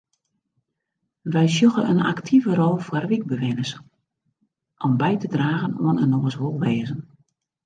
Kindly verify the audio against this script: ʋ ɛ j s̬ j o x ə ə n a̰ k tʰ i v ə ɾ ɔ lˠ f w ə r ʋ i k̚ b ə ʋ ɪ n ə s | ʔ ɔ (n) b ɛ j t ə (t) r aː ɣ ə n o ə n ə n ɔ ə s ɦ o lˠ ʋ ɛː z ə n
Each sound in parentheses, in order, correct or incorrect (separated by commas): incorrect, incorrect